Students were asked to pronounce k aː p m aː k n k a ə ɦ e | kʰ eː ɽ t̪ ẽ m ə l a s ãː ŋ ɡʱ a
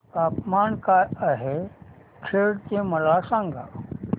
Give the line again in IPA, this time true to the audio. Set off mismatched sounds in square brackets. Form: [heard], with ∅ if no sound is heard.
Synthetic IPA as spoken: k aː p m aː [∅] n k a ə ɦ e | kʰ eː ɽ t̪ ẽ m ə l a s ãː ŋ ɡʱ a